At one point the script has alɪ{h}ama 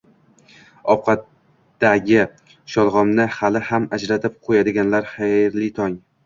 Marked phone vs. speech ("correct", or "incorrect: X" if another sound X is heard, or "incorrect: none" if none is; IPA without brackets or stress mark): correct